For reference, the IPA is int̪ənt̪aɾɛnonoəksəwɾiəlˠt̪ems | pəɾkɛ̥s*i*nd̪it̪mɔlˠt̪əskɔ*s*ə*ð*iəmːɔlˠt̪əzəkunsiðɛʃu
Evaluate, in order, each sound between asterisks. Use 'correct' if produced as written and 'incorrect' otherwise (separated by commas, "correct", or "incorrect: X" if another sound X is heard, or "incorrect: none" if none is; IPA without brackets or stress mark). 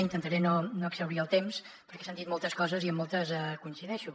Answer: incorrect: a, incorrect: z, incorrect: z